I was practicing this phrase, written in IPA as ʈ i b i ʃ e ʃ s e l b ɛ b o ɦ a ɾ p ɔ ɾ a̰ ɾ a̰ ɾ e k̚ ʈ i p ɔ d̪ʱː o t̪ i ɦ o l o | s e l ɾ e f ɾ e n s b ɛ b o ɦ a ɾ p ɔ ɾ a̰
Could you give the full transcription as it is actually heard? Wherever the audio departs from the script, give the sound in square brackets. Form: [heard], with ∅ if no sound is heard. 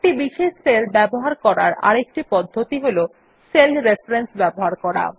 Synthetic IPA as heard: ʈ i b i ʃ e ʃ s e l b ɛ b o ɦ a ɾ [k] ɔ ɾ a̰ ɾ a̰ ɾ e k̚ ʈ i p ɔ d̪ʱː o t̪ i ɦ o l o | s e l ɾ e f ɾ e n s b ɛ b o ɦ a ɾ [k] ɔ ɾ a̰